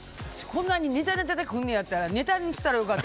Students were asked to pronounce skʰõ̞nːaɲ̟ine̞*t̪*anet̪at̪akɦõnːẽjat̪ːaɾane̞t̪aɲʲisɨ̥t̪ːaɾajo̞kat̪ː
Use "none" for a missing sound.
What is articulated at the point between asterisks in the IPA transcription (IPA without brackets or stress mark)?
t̪